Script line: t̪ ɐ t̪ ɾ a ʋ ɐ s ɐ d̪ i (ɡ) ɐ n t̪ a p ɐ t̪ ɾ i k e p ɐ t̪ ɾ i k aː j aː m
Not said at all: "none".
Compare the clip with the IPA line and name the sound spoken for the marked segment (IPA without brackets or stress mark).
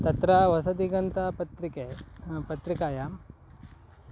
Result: ɡ